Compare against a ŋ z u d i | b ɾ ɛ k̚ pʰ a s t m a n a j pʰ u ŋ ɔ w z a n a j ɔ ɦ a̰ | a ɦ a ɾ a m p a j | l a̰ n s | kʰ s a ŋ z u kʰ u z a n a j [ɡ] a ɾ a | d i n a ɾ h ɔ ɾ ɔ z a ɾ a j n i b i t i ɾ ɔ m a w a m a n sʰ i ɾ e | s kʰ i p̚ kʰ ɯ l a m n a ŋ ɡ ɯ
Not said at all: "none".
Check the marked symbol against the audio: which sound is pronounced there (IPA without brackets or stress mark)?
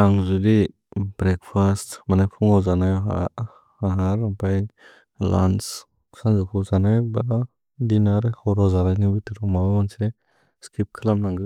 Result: b